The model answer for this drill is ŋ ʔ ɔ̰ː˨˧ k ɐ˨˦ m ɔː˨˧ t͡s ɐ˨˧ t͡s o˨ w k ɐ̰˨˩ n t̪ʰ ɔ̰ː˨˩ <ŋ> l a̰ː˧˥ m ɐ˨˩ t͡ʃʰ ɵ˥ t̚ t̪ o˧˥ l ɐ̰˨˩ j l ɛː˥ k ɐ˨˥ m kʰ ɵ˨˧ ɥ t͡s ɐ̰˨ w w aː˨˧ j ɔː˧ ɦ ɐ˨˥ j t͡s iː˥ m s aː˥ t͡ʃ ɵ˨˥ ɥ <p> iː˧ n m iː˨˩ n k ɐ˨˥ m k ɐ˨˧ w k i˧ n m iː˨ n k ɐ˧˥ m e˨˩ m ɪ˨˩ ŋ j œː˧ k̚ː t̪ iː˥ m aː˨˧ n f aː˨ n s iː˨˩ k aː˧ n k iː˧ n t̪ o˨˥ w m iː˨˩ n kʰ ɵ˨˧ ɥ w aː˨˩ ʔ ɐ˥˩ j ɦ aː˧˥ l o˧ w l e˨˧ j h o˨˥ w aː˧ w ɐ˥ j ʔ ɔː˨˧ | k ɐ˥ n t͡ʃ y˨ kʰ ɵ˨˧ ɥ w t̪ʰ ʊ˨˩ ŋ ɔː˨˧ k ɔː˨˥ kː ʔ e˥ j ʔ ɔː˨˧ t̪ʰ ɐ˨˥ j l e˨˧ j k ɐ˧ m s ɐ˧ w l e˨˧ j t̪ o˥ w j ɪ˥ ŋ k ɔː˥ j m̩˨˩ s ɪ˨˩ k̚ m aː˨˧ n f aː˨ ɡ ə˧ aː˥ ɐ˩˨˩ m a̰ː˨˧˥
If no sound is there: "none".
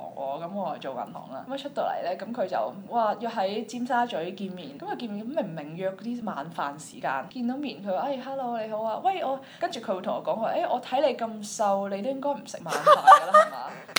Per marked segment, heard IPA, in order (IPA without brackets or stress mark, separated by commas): ŋ, k